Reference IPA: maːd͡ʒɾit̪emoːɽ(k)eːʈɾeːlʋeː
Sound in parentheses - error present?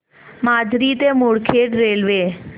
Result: yes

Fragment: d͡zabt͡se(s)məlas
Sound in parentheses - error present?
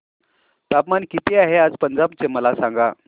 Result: yes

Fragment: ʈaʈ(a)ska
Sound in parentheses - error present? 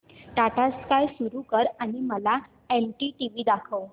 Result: no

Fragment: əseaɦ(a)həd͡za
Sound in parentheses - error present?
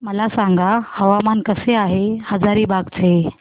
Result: yes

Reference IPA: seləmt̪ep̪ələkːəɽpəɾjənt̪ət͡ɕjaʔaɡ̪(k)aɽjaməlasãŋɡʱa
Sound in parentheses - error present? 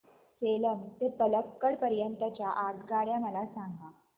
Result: yes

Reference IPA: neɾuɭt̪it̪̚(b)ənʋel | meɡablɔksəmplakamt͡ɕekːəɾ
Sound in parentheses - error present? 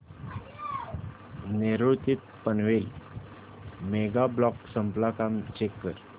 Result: yes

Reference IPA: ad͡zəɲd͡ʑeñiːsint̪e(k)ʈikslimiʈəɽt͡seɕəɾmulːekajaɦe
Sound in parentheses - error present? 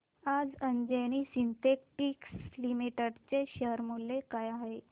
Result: no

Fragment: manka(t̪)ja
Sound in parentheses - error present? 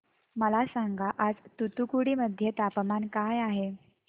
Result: yes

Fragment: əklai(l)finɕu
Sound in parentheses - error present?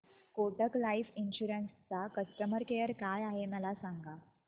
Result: yes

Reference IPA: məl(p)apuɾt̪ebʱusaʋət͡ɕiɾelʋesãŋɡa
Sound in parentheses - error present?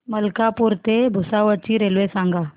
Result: yes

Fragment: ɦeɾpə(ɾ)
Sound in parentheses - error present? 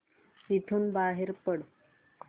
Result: yes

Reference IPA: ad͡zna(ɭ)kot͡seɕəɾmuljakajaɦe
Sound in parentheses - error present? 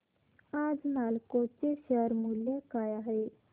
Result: yes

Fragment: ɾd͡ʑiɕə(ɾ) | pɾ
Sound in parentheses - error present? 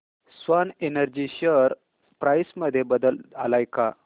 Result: no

